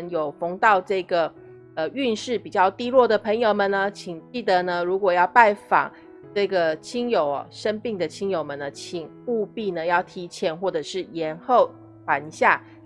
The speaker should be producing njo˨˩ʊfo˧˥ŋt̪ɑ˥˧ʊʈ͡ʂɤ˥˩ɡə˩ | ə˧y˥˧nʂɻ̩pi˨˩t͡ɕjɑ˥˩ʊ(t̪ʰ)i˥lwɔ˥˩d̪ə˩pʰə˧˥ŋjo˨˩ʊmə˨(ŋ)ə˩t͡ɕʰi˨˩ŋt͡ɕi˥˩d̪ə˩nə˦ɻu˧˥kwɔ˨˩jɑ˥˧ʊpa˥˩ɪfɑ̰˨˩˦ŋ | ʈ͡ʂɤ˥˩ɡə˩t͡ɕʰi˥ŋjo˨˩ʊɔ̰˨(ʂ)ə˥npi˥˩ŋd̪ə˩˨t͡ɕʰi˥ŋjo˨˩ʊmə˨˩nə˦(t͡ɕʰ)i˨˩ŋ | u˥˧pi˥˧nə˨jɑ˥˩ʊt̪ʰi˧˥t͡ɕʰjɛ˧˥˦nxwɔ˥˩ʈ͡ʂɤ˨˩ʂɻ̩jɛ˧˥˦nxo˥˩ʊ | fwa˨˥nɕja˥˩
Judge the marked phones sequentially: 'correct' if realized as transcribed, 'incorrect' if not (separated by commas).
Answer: incorrect, incorrect, correct, correct